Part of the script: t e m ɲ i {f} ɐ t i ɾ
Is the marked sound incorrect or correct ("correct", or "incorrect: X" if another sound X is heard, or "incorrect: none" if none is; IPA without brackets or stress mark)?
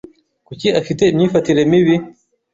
correct